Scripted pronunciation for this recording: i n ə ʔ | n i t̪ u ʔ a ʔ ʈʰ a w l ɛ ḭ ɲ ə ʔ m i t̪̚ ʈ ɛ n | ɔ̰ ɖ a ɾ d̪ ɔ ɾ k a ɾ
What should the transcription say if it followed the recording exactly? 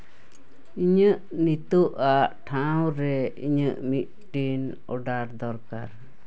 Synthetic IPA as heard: i ɲ ə ʔ | n i t̪ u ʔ a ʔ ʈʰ a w ɾ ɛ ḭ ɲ ə ʔ m i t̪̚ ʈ i n | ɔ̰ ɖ a ɾ d̪ ɔ ɾ k a ɾ